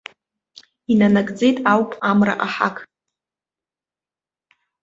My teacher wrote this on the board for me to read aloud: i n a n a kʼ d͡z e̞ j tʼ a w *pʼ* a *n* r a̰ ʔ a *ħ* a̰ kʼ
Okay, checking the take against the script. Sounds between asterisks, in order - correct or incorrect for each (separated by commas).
correct, incorrect, correct